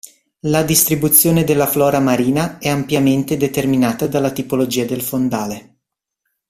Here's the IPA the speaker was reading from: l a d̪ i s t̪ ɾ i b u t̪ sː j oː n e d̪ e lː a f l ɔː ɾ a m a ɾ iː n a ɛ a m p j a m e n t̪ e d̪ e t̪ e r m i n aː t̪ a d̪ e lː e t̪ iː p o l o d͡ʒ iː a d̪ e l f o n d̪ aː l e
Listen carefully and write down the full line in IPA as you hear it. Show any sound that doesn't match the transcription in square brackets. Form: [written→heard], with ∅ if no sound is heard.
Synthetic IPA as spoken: l a d̪ i s t̪ ɾ i b u t̪ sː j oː n e d̪ e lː a f l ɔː ɾ a m a ɾ iː n a ɛ a m p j a m e n t̪ e d̪ e t̪ e r m i n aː t̪ a d̪ [e→a] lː [e→a] t̪ [iː→i] p o l o d͡ʒ iː a d̪ e l f o n d̪ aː l e